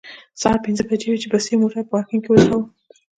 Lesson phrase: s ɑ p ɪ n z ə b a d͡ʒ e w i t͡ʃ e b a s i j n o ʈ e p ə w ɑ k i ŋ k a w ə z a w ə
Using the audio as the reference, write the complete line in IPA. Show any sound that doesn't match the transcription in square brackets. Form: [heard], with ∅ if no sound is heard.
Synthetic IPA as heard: s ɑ p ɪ n z ə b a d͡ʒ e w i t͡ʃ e b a s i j [m] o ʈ [a] p ə w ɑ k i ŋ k [e] w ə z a w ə